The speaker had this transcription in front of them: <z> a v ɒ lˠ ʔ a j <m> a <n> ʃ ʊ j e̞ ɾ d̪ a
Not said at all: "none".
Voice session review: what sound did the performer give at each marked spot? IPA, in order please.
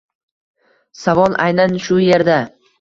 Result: s, n, n

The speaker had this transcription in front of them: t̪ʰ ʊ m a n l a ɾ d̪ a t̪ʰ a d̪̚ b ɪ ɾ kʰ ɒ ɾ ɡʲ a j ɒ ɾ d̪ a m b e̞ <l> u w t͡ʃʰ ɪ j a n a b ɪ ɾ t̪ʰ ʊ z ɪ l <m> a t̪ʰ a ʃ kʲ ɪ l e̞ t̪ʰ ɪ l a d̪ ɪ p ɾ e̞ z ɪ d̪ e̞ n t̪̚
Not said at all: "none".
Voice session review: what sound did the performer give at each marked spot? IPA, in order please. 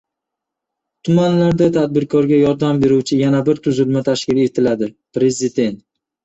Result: ɾ, m

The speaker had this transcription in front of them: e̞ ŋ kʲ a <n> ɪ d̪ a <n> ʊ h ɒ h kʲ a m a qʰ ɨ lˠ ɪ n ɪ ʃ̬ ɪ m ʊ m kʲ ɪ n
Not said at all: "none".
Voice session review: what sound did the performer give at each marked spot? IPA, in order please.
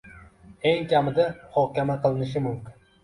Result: m, m

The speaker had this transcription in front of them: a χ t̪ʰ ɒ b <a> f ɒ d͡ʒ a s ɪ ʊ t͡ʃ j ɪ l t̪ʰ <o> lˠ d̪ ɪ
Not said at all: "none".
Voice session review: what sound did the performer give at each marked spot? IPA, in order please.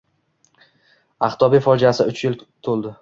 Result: i, o

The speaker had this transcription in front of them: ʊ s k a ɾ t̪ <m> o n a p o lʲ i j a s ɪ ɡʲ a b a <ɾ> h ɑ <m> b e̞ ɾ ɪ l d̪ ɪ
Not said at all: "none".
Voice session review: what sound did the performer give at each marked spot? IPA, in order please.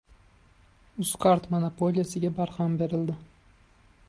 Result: m, ɾ, m

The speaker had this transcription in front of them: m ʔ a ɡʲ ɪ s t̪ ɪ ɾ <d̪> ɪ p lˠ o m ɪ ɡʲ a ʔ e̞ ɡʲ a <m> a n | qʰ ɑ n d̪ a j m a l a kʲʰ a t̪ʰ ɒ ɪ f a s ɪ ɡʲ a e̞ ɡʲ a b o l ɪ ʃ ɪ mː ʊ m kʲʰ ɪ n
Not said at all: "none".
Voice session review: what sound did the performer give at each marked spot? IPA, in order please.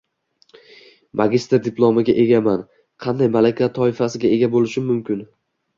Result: d̪, m

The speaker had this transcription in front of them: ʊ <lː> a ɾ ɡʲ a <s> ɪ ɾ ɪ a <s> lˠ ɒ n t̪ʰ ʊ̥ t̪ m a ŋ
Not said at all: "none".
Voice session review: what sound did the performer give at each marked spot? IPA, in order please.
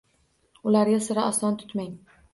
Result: l, s, s

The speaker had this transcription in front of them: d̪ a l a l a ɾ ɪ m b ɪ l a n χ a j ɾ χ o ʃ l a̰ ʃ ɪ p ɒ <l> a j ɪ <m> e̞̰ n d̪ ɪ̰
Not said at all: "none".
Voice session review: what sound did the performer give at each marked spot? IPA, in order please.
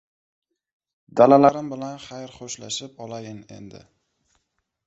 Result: l, n

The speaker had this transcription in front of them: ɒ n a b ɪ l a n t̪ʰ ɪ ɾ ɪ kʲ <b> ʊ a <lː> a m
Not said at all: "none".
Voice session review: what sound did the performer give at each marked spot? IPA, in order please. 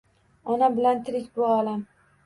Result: b, l

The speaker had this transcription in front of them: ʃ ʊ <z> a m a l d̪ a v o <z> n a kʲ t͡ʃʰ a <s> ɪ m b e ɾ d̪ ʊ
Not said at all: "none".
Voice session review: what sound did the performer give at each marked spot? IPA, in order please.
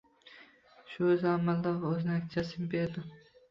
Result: z, z, s

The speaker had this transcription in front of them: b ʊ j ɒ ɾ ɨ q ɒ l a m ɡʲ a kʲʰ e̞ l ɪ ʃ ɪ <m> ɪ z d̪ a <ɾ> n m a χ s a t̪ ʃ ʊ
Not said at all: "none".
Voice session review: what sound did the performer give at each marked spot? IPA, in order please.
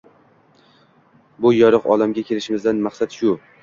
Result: m, none

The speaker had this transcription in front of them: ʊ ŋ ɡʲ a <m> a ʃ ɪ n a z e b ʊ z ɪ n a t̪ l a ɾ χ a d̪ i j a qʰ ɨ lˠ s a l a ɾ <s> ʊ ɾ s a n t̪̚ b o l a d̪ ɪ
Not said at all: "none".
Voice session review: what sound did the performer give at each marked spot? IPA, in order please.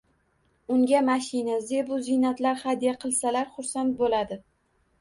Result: m, χ

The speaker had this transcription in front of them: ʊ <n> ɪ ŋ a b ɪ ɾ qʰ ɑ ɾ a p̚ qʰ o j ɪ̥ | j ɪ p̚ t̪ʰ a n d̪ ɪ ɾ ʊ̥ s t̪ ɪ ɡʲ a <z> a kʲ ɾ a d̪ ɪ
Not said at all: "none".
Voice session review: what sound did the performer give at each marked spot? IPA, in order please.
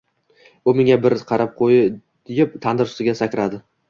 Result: m, s

